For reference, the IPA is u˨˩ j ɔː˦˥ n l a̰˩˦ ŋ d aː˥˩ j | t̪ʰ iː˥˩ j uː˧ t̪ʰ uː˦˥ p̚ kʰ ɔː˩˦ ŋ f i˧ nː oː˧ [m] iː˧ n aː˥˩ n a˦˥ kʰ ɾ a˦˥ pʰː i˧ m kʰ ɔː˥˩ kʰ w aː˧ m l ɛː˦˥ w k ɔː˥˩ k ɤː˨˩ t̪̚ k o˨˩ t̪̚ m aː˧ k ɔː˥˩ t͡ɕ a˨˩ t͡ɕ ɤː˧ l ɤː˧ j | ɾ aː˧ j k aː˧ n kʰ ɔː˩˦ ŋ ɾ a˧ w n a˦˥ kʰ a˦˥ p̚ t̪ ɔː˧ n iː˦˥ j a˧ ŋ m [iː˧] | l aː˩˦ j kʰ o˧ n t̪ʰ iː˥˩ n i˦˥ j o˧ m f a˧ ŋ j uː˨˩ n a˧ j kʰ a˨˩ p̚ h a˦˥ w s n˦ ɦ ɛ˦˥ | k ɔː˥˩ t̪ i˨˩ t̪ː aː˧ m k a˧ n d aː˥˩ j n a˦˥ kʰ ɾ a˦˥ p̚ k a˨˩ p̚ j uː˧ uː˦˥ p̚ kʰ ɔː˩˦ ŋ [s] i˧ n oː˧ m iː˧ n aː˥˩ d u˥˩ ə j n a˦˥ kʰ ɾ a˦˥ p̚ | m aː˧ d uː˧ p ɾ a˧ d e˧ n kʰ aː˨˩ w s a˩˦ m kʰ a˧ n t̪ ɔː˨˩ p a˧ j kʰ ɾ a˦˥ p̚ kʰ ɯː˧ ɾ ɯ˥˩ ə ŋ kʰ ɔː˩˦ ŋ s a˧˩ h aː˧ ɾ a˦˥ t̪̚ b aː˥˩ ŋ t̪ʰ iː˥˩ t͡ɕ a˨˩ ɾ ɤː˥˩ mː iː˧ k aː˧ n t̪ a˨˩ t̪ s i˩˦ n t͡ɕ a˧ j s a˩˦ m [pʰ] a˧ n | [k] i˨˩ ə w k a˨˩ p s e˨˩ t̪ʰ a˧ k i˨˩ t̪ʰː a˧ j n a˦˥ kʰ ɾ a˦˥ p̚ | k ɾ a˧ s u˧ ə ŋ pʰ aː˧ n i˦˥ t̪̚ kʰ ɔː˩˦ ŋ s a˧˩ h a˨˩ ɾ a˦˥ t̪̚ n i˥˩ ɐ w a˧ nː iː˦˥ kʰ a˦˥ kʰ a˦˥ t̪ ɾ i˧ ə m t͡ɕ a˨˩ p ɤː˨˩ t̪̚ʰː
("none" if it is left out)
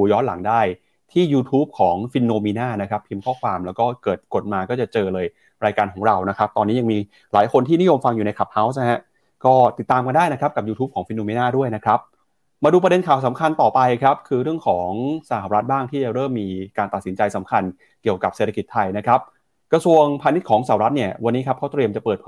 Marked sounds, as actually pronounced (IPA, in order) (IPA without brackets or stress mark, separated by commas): m, iː˧, f, kʰ, k